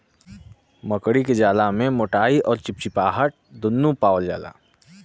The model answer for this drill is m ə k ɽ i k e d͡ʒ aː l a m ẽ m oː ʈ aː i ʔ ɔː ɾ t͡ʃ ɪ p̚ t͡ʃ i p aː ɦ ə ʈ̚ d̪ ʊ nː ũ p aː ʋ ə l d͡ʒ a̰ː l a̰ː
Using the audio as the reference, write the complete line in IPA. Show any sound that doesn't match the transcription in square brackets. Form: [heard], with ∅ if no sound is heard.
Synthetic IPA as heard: m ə k ɽ i k e d͡ʒ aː l a m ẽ m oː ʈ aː i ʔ ɔː ɾ t͡ʃ ɪ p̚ t͡ʃ i p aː ɦ ə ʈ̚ d̪ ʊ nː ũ p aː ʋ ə l d͡ʒ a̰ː l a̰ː